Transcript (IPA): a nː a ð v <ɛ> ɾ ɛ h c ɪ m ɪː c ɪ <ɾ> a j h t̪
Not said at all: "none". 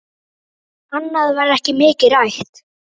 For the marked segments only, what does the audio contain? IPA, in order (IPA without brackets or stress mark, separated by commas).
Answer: a, ɾ